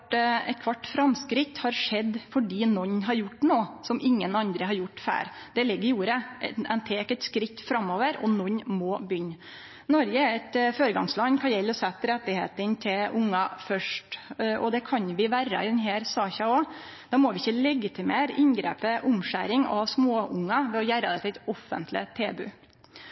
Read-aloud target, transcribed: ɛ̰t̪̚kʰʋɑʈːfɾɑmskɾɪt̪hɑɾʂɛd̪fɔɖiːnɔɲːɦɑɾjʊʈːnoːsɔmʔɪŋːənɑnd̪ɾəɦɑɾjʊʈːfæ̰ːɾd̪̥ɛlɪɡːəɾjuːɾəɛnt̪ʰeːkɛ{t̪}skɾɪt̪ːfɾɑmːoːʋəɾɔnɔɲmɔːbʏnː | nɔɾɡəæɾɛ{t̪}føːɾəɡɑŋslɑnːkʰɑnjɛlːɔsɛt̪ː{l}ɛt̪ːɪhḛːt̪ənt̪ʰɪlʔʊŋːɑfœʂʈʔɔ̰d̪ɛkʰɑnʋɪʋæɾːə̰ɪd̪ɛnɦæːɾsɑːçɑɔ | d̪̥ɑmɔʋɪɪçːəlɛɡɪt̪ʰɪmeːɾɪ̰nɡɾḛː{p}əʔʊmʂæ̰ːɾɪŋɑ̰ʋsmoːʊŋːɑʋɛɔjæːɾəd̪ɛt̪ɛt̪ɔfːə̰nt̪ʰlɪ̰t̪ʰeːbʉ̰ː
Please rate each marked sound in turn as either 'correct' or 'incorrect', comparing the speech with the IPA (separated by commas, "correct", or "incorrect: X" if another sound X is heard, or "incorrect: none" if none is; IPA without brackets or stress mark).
correct, correct, incorrect: ɾ, correct